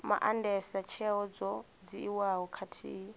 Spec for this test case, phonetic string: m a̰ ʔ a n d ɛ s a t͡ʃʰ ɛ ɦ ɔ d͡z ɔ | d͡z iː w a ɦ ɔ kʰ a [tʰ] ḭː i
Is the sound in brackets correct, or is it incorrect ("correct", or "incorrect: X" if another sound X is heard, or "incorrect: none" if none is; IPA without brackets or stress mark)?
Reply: correct